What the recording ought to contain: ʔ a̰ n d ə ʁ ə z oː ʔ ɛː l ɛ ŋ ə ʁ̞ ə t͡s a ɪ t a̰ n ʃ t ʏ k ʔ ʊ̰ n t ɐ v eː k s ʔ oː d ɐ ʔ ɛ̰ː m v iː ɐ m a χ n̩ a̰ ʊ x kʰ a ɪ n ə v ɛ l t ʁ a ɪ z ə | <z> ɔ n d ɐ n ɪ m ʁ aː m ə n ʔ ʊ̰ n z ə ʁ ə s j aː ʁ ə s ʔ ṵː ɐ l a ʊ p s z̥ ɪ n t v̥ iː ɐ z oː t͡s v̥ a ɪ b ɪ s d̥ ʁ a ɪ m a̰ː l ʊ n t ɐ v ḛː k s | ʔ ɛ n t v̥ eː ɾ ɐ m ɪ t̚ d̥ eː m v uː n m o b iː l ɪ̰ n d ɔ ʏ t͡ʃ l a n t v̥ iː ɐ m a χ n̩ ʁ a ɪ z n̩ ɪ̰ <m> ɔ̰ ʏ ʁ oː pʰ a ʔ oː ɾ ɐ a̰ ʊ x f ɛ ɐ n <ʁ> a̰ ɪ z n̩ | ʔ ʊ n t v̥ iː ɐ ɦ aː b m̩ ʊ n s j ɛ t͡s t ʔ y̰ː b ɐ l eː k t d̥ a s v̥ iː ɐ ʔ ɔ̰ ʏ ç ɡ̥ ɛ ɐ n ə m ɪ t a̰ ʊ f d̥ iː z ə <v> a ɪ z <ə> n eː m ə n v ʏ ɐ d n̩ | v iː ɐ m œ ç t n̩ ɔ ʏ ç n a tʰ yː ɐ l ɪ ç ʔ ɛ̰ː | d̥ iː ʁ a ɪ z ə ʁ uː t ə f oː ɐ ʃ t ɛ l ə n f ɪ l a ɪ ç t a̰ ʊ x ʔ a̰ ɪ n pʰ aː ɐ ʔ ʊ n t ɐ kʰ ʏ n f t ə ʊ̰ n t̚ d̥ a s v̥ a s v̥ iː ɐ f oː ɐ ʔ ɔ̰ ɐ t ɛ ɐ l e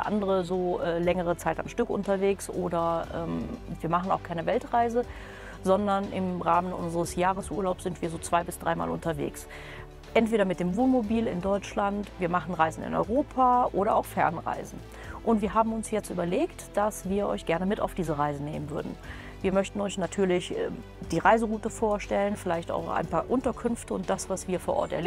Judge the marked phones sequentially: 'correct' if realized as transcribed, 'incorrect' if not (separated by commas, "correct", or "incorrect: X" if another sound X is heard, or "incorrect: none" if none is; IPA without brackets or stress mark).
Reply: correct, incorrect: n, correct, incorrect: ʁ, correct